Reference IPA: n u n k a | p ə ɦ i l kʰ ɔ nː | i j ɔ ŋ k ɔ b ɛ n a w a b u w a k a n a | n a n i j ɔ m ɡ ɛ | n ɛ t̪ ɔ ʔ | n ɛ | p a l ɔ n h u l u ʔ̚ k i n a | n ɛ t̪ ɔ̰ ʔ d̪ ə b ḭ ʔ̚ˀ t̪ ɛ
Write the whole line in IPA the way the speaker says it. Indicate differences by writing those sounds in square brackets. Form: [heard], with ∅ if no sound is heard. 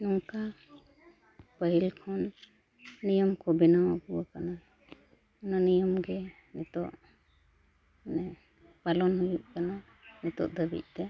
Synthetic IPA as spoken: n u [ŋ] k a | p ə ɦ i l kʰ ɔ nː | i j ɔ [m] k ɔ b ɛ n a w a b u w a k a n a | n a n i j ɔ m ɡ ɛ | n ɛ t̪ ɔ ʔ | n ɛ | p a l ɔ n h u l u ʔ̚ k [a] n a | n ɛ t̪ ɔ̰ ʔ d̪ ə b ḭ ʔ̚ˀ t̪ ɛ